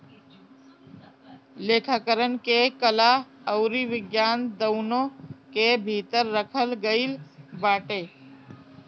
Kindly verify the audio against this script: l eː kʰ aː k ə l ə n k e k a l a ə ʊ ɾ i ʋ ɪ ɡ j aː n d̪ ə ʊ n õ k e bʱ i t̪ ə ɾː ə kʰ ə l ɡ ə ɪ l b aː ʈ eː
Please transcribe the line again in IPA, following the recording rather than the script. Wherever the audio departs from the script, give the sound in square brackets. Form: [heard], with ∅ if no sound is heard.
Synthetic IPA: l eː kʰ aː k ə [ɾ] ə n k e k [ə] l a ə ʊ ɾ i ʋ ɪ ɡ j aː n d̪ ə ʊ n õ k e bʱ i t̪ ə ɾː ə kʰ ə l ɡ ə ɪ l b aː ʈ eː